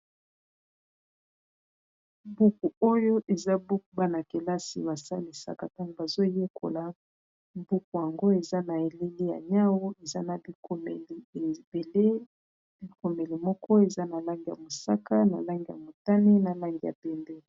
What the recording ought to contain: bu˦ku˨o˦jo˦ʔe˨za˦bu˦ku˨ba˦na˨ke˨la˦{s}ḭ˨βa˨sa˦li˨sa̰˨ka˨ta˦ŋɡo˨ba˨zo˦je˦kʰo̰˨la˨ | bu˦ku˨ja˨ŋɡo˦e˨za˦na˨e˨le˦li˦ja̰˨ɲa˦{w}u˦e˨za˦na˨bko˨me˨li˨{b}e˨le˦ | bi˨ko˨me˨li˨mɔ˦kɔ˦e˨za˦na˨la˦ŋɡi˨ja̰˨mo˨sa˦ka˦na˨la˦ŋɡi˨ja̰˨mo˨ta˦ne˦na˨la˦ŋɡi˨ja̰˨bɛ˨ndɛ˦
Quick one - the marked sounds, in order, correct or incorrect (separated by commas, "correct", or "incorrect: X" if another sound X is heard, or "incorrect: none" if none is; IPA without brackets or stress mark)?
correct, correct, correct